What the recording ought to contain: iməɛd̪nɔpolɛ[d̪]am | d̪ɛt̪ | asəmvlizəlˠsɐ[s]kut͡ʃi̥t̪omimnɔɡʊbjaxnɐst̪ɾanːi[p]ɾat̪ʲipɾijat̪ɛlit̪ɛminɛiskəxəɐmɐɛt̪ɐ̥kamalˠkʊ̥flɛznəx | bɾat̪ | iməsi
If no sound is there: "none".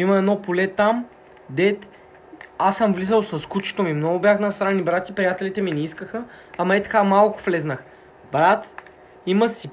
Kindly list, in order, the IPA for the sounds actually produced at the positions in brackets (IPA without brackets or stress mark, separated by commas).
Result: t̪, s, b